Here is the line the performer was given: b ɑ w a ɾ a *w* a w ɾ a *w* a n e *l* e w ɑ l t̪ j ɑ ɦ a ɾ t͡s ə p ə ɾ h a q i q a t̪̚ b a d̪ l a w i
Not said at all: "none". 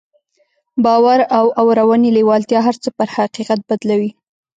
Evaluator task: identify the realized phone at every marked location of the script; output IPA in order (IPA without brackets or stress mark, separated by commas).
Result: w, w, l